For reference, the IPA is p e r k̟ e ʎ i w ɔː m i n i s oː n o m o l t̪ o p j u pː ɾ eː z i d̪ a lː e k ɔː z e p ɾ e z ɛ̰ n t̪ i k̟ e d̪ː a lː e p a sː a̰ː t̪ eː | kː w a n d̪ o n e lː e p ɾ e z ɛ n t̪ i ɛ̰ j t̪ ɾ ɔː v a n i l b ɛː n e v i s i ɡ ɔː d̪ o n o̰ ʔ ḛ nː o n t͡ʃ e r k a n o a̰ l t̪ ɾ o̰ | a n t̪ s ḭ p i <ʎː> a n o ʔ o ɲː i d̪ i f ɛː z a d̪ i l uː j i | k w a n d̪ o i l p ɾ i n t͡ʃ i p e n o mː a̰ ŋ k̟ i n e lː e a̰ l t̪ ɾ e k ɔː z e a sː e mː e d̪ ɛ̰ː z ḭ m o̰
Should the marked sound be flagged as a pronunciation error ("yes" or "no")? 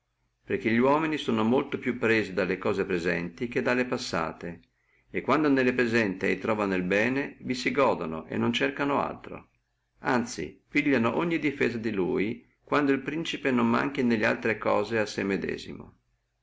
no